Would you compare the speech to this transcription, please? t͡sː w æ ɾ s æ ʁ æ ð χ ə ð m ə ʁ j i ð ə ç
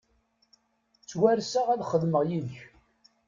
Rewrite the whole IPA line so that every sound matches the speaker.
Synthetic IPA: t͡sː w æ ɾ s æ ʁ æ ð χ ə ð m ə ʁ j i ð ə ç

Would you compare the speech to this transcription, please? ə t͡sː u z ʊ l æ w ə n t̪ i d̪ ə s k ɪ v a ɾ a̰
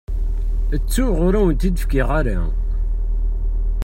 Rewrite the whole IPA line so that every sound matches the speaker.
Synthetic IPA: ə t͡sː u ʁ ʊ ɾ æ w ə n t̪ i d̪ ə f k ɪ ʁ a ɾ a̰

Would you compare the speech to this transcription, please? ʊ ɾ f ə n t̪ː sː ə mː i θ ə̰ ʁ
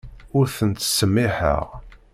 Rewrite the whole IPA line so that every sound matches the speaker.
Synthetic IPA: ʊ ɾ θ ə n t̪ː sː ə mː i ħ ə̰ ʁ

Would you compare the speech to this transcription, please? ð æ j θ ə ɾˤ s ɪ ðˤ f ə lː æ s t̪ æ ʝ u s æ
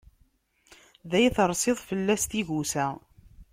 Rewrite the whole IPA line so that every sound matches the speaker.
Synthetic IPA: ð æ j θ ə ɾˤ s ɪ ðˤ f ə lː æ s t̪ i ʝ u s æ

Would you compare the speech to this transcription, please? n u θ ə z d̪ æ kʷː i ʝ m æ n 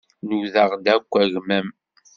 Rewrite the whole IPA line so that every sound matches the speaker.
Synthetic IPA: n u ð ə ʁ d̪ æ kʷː æ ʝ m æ m

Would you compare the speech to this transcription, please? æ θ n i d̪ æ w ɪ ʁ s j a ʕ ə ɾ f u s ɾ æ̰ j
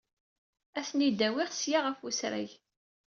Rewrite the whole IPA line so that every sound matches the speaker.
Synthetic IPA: æ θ n i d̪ æ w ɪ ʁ s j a ʁ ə f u s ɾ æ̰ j

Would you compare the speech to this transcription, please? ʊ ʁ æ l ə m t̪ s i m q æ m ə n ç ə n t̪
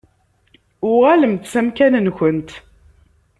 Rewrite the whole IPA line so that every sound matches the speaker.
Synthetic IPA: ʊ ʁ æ l ə m t̪ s æ m k æ n ə n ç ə n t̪

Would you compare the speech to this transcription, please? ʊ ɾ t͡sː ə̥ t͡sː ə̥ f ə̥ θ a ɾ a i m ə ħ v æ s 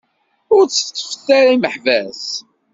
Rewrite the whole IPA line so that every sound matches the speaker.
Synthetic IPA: ʊ ɾ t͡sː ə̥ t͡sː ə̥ f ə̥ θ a ɾ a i m ə ħ v æ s

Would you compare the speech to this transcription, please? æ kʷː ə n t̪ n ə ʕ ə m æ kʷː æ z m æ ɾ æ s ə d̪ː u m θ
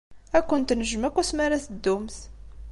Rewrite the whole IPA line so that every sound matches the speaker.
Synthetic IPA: æ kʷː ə n t̪ n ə ʒ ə m æ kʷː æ s m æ ɾ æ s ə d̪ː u m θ

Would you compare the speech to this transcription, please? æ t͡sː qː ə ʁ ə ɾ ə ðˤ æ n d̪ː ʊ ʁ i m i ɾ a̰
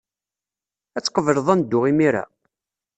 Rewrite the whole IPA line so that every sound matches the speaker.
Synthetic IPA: æ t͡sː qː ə v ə ɾ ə ðˤ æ n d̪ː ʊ ʁ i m i ɾ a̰

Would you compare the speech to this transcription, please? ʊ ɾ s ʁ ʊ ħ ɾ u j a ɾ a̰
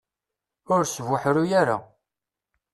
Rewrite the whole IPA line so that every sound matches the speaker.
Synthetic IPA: ʊ ɾ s v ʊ ħ ɾ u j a ɾ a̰

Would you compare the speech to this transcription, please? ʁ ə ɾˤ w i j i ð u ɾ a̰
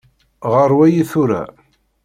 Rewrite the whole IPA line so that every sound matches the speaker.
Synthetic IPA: ʁ ə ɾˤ w æ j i θ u ɾ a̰

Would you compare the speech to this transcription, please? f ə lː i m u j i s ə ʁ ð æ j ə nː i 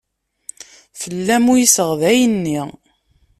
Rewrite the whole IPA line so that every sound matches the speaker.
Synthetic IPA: f ə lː æ m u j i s ə ʁ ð æ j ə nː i

